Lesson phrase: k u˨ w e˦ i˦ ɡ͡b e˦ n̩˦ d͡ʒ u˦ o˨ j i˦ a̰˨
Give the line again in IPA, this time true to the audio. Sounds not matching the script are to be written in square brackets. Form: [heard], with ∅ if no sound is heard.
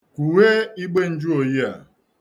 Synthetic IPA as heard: k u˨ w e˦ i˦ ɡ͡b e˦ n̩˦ d͡ʒ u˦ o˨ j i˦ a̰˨